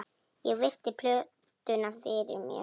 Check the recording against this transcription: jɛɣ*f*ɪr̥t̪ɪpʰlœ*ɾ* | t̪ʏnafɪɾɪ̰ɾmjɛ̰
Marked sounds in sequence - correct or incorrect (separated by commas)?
incorrect, incorrect